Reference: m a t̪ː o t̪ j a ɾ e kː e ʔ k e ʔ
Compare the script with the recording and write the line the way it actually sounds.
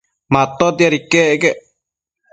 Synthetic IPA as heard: m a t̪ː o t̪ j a ɾ i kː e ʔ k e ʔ